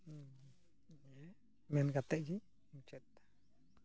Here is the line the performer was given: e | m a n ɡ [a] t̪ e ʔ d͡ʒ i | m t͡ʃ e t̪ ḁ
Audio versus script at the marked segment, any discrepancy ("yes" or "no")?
no